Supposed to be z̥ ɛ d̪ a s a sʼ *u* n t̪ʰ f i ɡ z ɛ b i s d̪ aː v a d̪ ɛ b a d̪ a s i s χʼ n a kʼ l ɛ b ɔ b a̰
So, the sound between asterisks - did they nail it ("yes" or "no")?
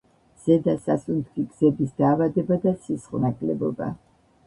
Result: yes